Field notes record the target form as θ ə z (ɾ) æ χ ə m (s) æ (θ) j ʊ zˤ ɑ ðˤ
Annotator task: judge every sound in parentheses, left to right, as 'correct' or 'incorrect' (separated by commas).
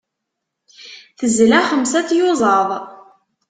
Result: incorrect, correct, correct